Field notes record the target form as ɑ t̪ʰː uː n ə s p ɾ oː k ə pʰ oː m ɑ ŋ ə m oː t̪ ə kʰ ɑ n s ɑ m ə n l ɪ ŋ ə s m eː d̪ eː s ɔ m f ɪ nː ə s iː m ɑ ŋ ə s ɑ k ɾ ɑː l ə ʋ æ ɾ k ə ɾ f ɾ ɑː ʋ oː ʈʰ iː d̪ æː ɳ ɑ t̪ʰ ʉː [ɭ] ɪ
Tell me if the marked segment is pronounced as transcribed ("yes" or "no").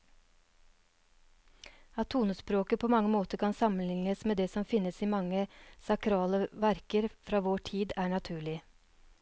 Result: yes